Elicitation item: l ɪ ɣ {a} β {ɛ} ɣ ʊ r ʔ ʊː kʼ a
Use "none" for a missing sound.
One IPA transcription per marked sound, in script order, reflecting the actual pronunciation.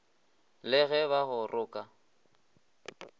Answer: ɛ, a

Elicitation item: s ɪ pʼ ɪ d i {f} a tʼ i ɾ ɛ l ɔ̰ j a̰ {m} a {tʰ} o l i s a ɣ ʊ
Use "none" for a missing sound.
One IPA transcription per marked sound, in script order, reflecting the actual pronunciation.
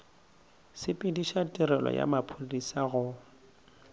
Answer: ʃ, m, pʰ

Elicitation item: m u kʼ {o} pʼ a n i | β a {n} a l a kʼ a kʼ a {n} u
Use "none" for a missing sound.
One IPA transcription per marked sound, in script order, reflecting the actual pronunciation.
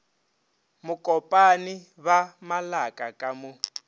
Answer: ɔ, m, m

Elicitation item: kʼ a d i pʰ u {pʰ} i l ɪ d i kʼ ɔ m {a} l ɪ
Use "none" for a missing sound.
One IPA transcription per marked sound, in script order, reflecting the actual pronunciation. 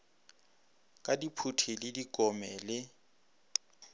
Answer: tʰ, ɛ

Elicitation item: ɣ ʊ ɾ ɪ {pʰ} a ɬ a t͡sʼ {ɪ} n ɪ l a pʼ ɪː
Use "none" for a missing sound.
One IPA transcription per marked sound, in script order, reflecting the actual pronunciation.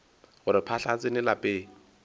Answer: pʰ, ɪ

